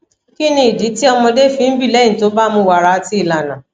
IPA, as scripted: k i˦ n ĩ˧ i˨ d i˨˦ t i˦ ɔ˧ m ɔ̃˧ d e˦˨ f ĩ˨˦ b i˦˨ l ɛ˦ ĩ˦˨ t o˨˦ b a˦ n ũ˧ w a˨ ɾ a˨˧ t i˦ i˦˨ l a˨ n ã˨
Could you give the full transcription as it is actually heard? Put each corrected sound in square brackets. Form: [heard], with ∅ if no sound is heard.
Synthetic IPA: k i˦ n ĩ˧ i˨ d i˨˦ t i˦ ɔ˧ m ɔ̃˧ d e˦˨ f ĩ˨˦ b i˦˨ l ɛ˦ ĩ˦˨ t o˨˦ b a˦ [m] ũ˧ w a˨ ɾ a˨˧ t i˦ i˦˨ l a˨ n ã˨